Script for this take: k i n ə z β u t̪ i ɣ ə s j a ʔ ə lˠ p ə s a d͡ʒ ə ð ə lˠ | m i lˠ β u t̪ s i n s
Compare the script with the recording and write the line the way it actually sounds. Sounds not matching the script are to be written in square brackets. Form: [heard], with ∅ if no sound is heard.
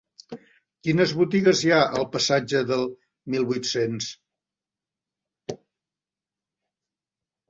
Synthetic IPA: k i n ə z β u t̪ i ɣ ə [z] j a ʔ ə lˠ p ə s a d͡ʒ ə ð ə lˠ | m i lˠ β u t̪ s [e] n s